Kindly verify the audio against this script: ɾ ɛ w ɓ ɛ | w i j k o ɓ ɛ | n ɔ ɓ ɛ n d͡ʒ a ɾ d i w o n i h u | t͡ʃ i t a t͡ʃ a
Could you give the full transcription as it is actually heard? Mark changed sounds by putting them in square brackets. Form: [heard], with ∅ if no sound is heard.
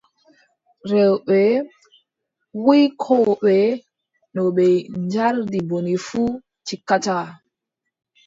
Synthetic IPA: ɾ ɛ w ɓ ɛ | w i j [kʰ] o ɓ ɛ | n ɔ ɓ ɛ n d͡ʒ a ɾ d i [b] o n i [f] u | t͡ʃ i [k] a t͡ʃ a